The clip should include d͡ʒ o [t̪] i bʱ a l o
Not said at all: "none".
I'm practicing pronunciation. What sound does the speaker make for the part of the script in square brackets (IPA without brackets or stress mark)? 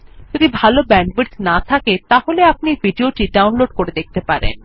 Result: d̪